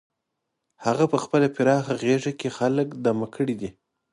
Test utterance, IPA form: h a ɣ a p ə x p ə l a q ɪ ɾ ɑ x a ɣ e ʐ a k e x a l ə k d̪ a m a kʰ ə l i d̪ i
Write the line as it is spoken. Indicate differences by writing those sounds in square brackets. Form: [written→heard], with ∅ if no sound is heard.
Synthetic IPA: h a ɣ a p ə x p ə l a [q→p] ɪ ɾ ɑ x a ɣ e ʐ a k e x a l ə k d̪ a m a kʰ ə [l→ɽ] i d̪ i